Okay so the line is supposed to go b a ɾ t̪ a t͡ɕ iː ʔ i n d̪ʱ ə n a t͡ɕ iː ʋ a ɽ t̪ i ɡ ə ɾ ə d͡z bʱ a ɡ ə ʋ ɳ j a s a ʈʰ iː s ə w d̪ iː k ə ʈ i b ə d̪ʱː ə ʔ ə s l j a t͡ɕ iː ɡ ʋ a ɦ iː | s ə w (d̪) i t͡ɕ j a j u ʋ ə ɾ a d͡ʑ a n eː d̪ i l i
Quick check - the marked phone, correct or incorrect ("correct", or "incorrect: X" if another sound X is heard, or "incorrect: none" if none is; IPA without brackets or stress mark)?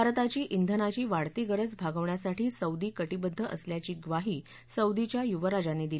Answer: correct